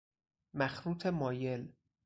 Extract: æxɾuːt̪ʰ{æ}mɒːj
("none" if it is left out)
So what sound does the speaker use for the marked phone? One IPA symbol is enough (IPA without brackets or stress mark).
e